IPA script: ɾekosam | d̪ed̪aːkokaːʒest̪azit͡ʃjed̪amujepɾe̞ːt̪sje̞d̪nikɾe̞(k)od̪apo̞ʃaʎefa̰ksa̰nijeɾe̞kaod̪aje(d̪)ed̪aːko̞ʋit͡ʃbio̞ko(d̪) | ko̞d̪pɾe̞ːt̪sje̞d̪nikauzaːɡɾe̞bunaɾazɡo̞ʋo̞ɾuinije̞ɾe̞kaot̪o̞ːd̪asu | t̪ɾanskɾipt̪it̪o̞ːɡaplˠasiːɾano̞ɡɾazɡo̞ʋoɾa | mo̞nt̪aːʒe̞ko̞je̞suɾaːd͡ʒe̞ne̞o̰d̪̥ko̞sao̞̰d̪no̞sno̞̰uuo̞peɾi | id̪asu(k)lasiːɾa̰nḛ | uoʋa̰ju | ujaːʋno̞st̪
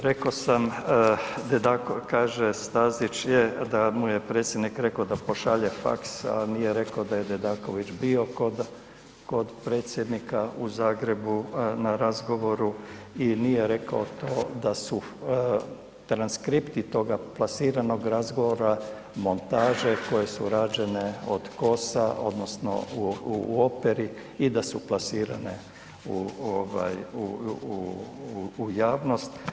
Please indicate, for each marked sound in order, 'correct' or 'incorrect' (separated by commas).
correct, correct, correct, incorrect